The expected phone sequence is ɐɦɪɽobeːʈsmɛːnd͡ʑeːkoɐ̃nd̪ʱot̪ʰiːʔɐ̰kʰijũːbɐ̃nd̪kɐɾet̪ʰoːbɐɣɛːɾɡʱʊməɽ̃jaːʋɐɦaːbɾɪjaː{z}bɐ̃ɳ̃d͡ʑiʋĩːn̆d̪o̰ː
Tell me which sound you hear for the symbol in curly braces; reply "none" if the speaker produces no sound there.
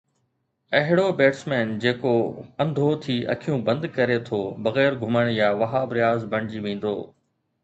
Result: z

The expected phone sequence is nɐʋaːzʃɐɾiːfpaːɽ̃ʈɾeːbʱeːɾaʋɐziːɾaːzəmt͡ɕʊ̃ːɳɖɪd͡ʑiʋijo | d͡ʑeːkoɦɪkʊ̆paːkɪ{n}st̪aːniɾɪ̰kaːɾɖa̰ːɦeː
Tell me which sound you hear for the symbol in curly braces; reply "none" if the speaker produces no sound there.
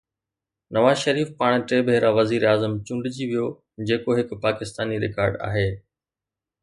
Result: none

